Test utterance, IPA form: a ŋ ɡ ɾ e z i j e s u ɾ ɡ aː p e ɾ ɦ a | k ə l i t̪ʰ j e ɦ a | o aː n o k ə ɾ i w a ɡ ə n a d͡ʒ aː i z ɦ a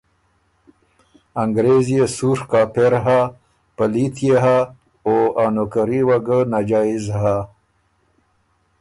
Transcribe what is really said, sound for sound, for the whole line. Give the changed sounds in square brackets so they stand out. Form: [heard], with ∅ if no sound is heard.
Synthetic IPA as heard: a ŋ ɡ ɾ e z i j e s u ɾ [k] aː p e ɾ ɦ a | [p] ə l i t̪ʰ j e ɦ a | o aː n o k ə ɾ i w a ɡ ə n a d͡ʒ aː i z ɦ a